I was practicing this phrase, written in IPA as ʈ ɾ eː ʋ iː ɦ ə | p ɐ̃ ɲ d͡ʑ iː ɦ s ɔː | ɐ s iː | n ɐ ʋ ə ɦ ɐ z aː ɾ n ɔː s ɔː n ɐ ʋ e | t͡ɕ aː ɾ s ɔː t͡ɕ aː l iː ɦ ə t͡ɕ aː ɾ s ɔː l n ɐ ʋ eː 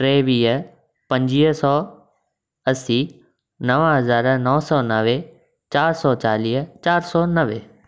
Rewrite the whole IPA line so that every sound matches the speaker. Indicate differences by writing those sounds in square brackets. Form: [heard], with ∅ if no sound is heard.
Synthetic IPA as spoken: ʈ ɾ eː ʋ iː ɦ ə | p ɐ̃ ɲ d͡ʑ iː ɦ s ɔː | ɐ s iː | n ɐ ʋ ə ɦ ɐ z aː ɾ n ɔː s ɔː n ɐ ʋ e | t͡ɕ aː ɾ s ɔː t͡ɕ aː l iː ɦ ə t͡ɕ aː ɾ s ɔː [∅] n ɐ ʋ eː